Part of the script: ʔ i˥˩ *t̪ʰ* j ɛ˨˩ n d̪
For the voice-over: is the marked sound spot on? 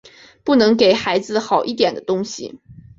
no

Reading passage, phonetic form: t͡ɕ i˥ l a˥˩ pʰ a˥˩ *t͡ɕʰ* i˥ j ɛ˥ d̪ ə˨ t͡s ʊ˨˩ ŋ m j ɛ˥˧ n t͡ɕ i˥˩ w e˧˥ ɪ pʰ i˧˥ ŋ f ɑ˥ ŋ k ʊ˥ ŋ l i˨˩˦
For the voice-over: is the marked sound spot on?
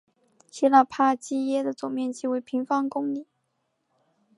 no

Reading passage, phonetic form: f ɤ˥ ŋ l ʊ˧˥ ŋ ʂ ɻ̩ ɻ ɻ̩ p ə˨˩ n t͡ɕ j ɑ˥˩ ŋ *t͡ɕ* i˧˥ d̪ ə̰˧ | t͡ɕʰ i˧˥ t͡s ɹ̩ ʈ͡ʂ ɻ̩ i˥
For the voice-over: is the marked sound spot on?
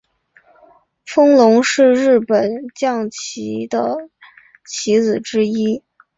no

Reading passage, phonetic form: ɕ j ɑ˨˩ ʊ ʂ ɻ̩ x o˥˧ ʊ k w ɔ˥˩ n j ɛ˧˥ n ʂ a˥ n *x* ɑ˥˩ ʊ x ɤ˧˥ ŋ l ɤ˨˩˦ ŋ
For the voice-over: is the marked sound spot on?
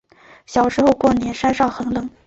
no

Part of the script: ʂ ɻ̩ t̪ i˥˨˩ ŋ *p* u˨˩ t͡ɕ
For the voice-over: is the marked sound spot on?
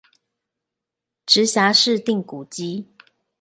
no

